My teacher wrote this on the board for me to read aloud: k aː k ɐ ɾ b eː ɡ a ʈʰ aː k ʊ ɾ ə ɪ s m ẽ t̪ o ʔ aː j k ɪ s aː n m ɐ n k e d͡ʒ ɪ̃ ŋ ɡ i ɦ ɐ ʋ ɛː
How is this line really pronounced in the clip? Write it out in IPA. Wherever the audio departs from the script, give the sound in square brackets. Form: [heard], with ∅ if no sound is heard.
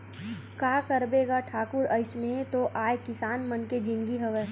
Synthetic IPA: k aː k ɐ ɾ b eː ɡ a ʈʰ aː k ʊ ɾ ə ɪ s m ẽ t̪ o ʔ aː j k ɪ s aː n m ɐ n k e d͡ʒ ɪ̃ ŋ ɡ i ɦ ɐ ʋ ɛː